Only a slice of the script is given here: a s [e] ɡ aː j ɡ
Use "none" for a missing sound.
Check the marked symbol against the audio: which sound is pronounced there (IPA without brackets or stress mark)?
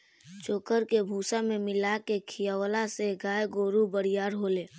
e